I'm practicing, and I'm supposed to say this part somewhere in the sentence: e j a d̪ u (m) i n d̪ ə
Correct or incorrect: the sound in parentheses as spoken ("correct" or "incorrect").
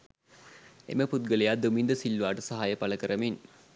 correct